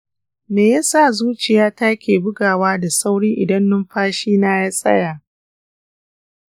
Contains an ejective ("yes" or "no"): yes